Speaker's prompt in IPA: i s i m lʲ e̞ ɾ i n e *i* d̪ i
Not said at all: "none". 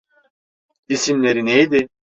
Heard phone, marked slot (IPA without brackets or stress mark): j